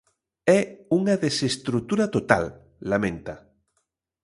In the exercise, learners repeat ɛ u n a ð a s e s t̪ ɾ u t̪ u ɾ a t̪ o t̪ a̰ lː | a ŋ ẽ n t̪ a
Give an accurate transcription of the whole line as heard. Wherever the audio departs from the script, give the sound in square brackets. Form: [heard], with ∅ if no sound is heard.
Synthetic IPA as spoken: ɛ u [ŋ] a ð [e] s e s t̪ ɾ u t̪ u ɾ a t̪ o t̪ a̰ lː | a [m] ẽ n t̪ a